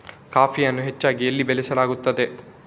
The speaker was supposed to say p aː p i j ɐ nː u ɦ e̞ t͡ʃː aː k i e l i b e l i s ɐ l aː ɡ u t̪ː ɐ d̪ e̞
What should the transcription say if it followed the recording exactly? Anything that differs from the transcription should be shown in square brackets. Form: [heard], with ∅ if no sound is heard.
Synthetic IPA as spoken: [k] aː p i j ɐ nː u ɦ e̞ t͡ʃː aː [ɡ] i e [lː] i b e l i s ɐ l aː ɡ u t̪ː ɐ d̪ e̞